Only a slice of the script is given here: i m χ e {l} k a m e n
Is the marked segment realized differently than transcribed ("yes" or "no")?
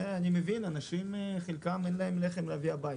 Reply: no